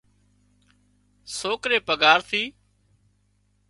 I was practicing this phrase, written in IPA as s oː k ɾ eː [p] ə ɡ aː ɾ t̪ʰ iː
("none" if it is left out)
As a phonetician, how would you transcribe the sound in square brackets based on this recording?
p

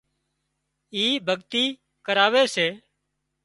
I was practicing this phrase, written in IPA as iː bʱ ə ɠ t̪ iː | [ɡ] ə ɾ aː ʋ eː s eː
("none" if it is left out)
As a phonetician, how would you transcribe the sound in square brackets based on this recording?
k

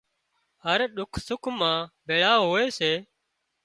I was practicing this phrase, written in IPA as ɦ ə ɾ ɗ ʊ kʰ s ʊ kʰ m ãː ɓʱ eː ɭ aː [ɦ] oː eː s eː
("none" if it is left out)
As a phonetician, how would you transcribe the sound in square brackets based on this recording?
ɦ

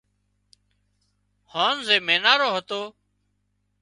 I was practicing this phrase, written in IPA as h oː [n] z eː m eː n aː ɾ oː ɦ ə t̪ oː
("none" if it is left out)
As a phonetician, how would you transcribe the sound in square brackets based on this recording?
n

